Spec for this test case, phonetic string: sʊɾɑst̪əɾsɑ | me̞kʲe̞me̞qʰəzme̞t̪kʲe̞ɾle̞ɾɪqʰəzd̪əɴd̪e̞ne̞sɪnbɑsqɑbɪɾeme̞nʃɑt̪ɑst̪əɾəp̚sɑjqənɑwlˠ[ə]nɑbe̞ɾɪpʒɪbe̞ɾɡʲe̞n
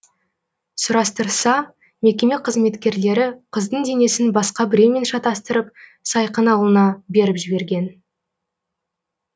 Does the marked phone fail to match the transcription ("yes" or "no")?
no